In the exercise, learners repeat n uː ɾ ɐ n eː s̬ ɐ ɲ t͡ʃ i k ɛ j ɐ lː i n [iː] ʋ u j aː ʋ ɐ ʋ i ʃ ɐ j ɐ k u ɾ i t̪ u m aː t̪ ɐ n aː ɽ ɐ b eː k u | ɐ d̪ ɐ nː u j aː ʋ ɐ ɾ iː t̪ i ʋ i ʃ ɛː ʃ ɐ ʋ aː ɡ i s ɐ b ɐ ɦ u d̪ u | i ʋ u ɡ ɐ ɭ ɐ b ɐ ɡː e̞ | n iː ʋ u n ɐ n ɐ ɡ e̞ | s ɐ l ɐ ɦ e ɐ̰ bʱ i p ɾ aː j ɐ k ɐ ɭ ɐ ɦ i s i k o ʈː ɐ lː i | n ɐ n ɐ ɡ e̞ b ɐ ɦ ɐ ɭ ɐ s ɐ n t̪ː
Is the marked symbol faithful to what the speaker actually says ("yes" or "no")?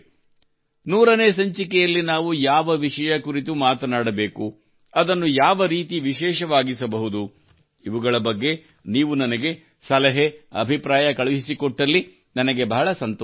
no